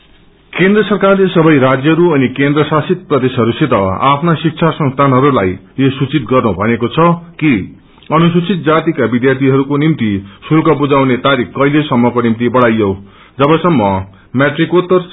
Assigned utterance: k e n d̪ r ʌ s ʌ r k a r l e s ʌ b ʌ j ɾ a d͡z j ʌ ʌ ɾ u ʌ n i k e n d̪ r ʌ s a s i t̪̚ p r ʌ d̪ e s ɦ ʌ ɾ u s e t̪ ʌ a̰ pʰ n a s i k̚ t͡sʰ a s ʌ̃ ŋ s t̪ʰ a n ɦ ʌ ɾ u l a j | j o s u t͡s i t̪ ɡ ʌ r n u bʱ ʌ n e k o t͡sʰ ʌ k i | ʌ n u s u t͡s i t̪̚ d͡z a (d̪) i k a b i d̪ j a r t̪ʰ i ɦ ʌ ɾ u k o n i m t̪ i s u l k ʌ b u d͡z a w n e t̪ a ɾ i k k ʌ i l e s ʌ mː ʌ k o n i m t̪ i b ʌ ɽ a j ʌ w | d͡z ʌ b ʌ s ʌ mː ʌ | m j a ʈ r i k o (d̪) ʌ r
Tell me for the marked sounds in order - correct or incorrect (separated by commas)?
incorrect, incorrect